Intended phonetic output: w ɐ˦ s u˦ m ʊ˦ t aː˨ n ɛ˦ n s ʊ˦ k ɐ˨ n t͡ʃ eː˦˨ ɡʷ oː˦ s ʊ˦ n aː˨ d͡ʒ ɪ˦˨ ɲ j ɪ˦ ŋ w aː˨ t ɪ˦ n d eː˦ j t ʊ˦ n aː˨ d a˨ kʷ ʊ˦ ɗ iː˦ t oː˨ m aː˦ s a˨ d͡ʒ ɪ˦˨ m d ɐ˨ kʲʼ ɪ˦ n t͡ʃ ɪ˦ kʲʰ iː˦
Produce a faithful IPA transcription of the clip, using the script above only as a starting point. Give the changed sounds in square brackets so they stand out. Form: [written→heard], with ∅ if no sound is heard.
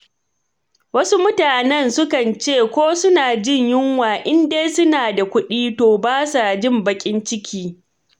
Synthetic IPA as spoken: w ɐ˦ s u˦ m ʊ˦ t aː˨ n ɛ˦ n s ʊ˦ k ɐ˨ n t͡ʃ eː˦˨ [ɡʷ→kʷ] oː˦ s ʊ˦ n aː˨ d͡ʒ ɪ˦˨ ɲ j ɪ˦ ŋ w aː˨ [t→ʔ] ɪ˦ n d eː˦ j [t→s] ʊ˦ n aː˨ d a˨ kʷ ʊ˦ ɗ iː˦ t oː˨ [m→b] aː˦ s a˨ d͡ʒ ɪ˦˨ m [d→b] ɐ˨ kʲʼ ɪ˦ n t͡ʃ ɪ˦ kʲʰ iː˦